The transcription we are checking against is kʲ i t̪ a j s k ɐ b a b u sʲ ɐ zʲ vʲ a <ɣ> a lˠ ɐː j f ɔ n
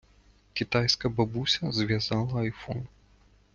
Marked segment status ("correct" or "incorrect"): incorrect